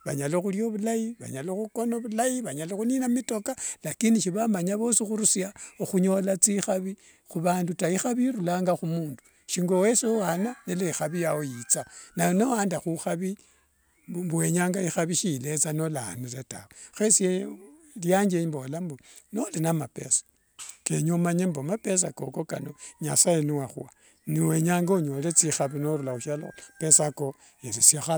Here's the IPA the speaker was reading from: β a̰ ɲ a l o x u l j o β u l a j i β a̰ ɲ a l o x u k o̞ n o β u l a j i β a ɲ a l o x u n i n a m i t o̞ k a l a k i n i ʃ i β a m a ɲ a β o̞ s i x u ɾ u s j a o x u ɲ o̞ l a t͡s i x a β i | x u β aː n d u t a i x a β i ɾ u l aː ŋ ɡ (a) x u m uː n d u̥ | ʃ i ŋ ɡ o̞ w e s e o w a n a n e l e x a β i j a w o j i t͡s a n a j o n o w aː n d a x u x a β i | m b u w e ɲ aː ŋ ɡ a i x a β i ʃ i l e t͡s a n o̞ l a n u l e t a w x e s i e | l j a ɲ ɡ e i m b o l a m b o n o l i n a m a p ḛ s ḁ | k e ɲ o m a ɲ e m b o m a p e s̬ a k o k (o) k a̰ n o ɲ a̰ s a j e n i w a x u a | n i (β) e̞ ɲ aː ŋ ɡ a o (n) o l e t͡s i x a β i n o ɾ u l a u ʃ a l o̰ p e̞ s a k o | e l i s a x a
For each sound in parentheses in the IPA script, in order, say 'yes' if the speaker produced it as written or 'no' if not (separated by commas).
yes, yes, no, no